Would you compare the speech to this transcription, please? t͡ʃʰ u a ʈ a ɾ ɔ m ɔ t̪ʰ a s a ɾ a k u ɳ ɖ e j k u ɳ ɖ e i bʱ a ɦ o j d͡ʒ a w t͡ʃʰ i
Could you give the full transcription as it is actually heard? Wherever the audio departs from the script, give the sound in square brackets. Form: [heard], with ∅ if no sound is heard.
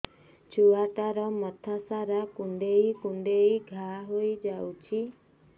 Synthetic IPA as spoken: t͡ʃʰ u a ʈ a ɾ ɔ m ɔ t̪ʰ a s a ɾ a k u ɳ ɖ e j k u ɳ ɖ e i [ɡʱ] a ɦ o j d͡ʒ a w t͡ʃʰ i